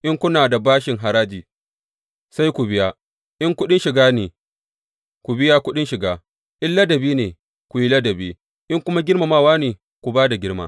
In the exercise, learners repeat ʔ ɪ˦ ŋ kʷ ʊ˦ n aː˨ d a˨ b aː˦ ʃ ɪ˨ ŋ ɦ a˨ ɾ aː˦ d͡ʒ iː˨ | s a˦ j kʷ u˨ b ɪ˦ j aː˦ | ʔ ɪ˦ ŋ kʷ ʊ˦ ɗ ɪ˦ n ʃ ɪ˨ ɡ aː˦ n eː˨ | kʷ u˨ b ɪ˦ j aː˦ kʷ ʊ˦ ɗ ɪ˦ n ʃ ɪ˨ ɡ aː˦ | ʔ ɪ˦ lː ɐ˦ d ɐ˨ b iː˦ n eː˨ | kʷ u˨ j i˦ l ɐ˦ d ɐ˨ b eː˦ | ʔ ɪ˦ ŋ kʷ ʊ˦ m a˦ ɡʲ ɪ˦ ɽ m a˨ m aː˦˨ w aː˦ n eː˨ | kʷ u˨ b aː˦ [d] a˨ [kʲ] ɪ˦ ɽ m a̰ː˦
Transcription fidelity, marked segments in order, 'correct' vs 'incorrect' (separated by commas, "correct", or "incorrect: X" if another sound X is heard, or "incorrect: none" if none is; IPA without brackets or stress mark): correct, incorrect: ɡʲ